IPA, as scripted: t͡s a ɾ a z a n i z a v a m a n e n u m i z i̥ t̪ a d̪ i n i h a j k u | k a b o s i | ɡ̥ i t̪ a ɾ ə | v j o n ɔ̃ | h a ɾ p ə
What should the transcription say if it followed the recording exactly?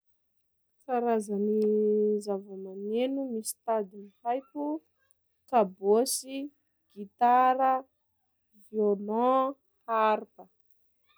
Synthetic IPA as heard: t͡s a ɾ a z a n i z a v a m a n e n u m i s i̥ t̪ a d̪ i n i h a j k u | k a b o s i | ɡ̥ i t̪ a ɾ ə | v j o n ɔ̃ | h a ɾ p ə